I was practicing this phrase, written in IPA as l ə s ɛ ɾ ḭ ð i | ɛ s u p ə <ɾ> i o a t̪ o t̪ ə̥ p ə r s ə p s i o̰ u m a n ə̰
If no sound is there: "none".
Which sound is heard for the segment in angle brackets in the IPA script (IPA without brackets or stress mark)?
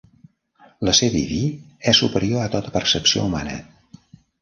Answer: ɾ